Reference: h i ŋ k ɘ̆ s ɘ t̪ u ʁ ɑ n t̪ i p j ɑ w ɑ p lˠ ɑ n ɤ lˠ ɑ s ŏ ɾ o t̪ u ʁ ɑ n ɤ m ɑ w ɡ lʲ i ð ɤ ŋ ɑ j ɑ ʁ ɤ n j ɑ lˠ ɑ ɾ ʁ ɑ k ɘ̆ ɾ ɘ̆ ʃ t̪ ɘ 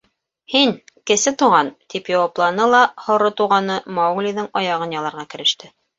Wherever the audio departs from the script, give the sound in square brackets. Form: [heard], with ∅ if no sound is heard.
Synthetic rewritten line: h i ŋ k ɘ̆ s ɘ t̪ u ʁ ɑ n t̪ i p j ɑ w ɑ p lˠ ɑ n ɤ lˠ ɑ [h] ŏ ɾ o t̪ u ʁ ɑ n ɤ m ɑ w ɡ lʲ i ð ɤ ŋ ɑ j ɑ ʁ ɤ n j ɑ lˠ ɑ ɾ ʁ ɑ k ɘ̆ ɾ ɘ̆ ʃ t̪ ɘ